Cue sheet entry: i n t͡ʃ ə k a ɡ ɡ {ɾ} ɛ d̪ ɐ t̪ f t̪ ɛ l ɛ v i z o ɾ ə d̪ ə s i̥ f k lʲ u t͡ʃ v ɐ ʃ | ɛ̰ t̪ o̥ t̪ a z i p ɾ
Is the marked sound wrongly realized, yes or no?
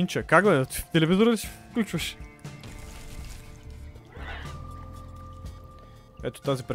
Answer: yes